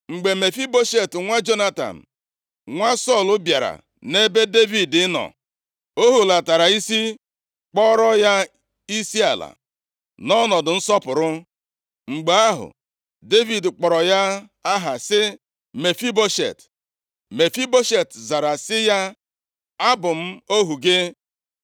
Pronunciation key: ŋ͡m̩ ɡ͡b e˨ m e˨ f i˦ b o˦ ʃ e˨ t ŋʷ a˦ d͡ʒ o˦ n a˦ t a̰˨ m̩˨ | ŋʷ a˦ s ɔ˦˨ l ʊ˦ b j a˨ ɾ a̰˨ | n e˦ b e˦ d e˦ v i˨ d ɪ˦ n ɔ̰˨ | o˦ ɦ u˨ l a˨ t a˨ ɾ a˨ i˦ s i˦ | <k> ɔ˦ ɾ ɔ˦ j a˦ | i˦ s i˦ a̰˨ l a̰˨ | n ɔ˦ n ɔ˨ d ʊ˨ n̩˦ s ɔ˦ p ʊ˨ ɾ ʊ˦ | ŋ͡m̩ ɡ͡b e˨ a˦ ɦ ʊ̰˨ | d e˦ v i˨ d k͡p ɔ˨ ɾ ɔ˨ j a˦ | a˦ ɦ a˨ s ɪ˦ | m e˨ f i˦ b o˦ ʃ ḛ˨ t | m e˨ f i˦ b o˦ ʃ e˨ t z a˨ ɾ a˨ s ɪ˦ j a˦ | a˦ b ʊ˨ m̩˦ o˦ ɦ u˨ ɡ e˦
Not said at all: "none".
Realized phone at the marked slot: k͡p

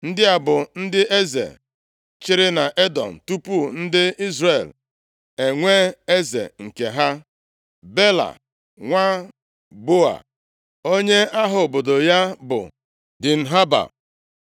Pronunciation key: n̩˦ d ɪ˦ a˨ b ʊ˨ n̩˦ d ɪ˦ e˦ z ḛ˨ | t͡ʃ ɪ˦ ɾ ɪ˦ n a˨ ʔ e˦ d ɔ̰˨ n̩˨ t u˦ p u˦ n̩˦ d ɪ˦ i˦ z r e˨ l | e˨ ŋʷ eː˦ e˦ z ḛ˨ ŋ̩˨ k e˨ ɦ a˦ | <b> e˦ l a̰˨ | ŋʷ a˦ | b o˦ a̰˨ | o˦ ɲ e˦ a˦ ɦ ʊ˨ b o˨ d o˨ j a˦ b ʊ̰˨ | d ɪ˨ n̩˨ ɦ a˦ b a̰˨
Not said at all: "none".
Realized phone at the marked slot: b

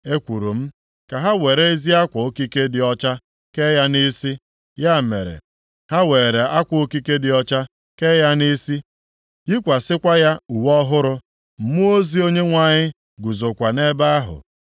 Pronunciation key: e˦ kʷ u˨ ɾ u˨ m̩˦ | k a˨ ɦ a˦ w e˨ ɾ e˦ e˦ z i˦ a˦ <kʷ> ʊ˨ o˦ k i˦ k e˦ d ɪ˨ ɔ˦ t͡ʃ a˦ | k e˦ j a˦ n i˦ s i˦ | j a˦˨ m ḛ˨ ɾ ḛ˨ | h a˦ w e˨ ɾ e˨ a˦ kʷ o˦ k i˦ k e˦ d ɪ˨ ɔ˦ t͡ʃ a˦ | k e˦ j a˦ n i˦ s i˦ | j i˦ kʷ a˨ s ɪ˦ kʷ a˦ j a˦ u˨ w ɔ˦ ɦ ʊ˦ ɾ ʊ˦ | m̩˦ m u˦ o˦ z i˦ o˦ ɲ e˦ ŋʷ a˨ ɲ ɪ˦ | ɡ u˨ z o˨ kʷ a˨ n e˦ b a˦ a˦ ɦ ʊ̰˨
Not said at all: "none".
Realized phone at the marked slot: kʷ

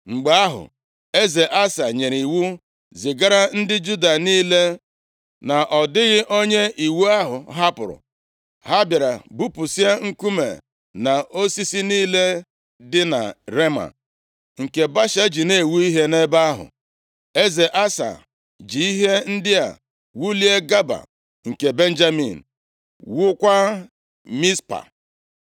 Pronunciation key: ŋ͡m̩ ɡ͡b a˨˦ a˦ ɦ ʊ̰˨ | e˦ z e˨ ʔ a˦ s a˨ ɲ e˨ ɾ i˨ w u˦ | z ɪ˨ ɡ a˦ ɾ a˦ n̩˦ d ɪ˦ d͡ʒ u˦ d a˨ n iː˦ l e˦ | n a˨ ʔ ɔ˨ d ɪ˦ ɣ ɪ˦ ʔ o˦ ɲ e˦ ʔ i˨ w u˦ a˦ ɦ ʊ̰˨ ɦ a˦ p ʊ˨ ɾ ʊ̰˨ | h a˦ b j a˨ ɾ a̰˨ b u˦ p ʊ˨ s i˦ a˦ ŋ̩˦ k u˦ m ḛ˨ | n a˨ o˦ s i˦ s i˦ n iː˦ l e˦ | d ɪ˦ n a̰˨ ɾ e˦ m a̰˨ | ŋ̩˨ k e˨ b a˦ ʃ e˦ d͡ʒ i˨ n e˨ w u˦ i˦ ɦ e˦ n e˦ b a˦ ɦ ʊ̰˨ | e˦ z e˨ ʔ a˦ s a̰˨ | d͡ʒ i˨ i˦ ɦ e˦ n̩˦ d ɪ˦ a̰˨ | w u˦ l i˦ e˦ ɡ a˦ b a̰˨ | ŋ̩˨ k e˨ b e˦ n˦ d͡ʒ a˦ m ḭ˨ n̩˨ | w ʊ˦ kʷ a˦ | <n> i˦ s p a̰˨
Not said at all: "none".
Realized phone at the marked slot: m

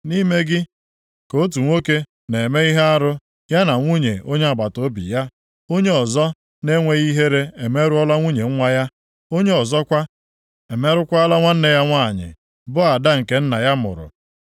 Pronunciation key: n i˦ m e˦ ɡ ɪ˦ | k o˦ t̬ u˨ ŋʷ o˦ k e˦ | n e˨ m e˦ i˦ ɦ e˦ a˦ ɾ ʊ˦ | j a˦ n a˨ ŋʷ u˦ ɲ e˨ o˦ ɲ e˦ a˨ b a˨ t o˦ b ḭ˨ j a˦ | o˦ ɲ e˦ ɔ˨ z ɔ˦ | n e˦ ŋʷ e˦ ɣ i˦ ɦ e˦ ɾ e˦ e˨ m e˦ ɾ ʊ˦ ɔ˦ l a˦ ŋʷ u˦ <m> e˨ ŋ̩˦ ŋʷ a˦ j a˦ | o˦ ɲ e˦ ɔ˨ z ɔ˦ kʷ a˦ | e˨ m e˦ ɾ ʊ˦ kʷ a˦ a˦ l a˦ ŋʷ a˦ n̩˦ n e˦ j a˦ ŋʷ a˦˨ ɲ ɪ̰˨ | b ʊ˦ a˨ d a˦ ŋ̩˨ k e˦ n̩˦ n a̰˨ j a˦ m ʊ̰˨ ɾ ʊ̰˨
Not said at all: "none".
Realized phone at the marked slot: ɲ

